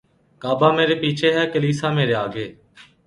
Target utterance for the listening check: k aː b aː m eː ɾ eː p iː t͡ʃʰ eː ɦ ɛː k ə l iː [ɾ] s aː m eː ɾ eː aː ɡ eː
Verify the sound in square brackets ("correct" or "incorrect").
incorrect